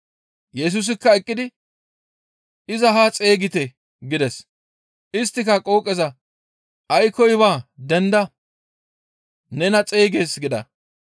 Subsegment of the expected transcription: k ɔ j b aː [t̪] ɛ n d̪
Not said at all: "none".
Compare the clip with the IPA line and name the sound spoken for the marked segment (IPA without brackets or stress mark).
d̪